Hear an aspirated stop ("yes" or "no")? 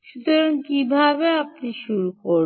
no